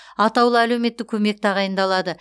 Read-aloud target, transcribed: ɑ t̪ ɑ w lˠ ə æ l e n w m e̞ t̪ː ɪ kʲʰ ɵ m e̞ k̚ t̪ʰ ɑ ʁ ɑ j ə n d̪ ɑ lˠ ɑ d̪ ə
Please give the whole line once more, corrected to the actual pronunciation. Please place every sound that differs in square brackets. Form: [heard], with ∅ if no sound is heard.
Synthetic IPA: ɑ t̪ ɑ w lˠ ə æ l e [∅] w m e̞ t̪ː ɪ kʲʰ ɵ m e̞ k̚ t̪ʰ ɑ ʁ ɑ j ə n d̪ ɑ lˠ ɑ d̪ ə

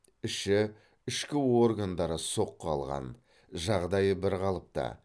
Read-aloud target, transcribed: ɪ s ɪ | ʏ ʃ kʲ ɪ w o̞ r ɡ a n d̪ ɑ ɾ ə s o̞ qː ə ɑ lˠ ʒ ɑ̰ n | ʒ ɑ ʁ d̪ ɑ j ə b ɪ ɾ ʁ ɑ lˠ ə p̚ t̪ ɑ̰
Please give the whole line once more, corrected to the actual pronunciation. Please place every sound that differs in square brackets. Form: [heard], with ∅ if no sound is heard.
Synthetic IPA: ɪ [ʃ] ɪ | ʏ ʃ kʲ ɪ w o̞ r ɡ a n d̪ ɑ ɾ ə s o̞ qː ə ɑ lˠ [ʁ] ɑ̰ n | ʒ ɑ ʁ d̪ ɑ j ə b ɪ ɾ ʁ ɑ lˠ ə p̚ t̪ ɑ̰

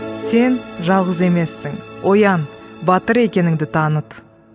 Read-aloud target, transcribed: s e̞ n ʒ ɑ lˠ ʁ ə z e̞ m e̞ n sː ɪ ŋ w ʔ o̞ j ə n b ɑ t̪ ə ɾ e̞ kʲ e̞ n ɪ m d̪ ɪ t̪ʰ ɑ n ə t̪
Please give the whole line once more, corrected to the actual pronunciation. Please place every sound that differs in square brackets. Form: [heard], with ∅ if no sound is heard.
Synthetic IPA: s e̞ n ʒ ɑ lˠ ʁ ə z e̞ m e̞ [∅] sː ɪ ŋ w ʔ o̞ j [ɑ] n b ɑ t̪ ə ɾ e̞ kʲ e̞ n ɪ [ŋ] d̪ ɪ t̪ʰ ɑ n ə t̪

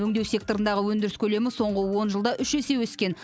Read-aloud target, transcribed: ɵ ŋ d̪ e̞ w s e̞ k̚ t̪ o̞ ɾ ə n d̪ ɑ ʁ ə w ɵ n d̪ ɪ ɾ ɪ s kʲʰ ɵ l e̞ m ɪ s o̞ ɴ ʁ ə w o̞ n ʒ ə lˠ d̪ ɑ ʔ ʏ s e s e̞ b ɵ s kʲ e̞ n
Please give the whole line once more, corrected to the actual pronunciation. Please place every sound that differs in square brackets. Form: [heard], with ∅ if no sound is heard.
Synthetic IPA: ɵ ŋ d̪ e̞ w s e̞ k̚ t̪ o̞ ɾ ə n d̪ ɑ ʁ ə w ɵ n d̪ ɪ ɾ ɪ s kʲʰ ɵ l e̞ m ɪ s o̞ ɴ ʁ ə w o̞ n ʒ ə lˠ d̪ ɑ ʔ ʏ [ʃ] e s e̞ [w] ɵ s kʲ e̞ n

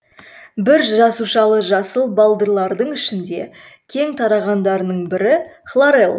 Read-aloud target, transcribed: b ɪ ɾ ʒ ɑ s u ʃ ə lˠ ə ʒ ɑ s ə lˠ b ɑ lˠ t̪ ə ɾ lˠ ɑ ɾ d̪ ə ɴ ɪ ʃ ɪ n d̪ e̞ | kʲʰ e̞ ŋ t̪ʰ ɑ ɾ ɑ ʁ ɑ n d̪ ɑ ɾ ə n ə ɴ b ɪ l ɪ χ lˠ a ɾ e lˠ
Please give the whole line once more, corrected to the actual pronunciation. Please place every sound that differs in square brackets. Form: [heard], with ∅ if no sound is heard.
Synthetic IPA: b ɪ ɾ ʒ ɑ s u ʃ [ɑ] lˠ ə ʒ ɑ s ə lˠ b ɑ lˠ [d̪] ə ɾ lˠ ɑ ɾ d̪ ə ɴ ɪ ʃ ɪ n d̪ e̞ | kʲʰ e̞ ŋ t̪ʰ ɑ ɾ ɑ ʁ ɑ n d̪ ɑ ɾ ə n ə ɴ b ɪ [ɾ] ɪ χ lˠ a ɾ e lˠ

